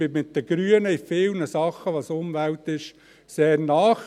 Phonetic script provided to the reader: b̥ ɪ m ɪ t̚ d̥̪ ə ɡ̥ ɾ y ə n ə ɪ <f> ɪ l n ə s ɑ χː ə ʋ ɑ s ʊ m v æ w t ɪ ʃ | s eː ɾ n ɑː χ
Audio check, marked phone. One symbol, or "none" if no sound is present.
f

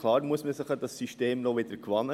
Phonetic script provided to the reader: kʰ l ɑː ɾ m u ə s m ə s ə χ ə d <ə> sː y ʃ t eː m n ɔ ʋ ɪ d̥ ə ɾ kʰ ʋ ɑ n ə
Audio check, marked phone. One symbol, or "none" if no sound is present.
ɑ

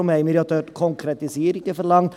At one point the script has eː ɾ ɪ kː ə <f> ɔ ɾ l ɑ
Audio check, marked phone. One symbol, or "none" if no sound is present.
f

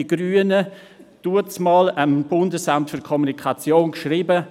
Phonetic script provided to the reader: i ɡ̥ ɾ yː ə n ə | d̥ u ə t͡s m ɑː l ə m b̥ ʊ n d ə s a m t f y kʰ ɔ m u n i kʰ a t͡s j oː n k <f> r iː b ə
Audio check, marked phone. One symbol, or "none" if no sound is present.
ʃ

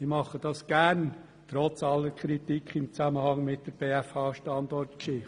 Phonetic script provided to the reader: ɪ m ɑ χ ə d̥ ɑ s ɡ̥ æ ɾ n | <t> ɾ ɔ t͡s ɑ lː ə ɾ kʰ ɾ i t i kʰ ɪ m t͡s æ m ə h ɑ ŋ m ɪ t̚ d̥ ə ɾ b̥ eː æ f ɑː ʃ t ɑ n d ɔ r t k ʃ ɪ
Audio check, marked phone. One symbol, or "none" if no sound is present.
t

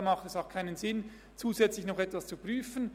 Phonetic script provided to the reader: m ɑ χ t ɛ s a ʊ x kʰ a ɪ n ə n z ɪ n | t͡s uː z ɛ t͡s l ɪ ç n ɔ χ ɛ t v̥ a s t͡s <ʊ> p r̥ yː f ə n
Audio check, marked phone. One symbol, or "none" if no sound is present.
u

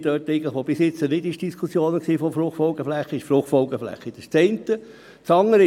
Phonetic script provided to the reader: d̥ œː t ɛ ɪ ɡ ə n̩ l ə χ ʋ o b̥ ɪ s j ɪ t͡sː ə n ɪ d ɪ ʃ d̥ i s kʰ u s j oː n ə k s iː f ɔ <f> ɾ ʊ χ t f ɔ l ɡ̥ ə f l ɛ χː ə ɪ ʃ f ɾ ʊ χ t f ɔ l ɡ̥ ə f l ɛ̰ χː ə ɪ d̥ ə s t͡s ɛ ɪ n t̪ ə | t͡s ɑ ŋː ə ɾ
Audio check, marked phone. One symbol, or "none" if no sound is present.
f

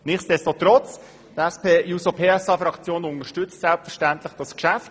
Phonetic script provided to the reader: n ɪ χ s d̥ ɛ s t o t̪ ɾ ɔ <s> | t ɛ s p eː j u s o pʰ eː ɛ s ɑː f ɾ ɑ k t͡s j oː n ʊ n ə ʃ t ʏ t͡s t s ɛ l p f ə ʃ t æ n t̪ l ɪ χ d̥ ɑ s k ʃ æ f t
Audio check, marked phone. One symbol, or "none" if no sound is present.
t͡s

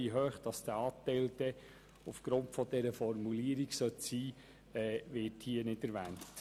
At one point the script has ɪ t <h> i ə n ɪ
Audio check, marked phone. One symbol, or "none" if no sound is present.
h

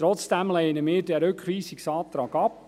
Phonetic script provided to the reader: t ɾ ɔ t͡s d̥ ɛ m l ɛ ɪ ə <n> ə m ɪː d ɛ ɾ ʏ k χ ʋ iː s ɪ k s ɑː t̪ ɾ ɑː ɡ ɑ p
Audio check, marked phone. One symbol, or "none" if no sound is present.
n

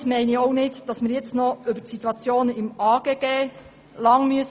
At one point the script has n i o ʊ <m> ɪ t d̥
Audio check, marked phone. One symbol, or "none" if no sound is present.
n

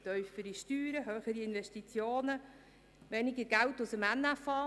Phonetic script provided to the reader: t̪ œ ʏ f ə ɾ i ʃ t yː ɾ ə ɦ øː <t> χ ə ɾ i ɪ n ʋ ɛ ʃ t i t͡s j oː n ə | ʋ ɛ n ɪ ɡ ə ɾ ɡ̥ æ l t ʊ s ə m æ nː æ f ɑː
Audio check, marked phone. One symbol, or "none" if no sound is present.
none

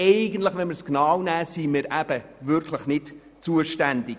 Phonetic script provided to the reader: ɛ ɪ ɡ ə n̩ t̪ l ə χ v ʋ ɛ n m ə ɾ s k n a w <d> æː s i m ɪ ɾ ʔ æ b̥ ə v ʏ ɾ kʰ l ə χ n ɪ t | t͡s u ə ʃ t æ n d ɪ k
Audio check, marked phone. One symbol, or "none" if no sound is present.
n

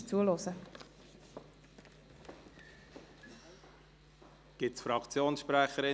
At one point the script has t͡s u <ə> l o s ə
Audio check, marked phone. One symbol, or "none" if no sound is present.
ə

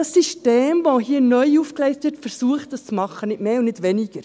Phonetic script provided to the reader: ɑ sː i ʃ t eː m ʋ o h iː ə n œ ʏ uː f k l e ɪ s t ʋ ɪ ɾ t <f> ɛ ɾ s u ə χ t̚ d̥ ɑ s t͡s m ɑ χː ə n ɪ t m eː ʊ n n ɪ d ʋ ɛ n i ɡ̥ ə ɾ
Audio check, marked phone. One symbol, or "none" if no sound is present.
f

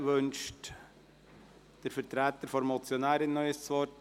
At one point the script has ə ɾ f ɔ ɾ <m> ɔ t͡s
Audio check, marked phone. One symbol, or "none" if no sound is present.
m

